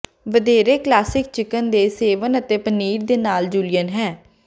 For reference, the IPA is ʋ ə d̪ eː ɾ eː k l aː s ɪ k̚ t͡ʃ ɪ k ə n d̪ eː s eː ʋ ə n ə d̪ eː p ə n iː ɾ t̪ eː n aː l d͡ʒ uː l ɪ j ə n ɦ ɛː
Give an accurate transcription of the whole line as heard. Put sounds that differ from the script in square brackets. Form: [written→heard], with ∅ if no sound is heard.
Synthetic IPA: ʋ ə d̪ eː ɾ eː k l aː s ɪ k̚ t͡ʃ ɪ k ə n d̪ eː s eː ʋ ə n ə [d̪→t̪] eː p ə n iː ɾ [t̪→d̪] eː n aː l d͡ʒ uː l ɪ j ə n ɦ ɛː